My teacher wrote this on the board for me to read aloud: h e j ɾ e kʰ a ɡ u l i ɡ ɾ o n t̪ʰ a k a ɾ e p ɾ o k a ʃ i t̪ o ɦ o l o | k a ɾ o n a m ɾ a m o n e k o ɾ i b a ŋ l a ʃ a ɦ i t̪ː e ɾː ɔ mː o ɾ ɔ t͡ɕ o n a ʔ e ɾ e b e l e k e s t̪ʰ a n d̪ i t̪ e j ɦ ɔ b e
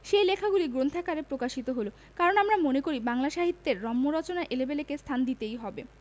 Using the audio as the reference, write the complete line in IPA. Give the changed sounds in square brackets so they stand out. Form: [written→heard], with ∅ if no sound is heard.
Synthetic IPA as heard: [h→ʃ] e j [ɾ→l] e kʰ a ɡ u l i ɡ ɾ o n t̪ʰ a k a ɾ e p ɾ o k a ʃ i t̪ o ɦ o l o | k a ɾ o n a m ɾ a m o n e k o ɾ i b a ŋ l a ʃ a ɦ i t̪ː e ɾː ɔ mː o ɾ ɔ t͡ɕ o n a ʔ e [ɾ→l] e b e l e k e s t̪ʰ a n d̪ i t̪ e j ɦ ɔ b e